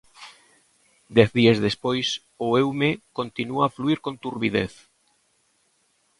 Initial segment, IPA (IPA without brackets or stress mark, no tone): d̪